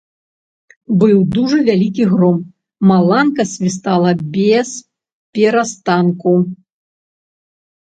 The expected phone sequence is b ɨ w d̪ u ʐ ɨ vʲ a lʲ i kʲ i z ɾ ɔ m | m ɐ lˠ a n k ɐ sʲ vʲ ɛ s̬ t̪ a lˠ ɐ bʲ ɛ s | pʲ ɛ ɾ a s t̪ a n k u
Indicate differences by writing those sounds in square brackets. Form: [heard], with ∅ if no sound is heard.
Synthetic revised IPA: b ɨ w d̪ u ʐ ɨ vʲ a lʲ i kʲ i [ɣ] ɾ ɔ m | m [a] lˠ a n k ɐ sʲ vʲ [i] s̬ t̪ a lˠ ɐ bʲ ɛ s | pʲ ɛ ɾ a s t̪ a n k u